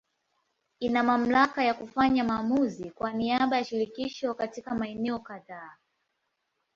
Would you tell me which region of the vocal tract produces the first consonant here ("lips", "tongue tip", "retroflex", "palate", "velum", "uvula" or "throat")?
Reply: tongue tip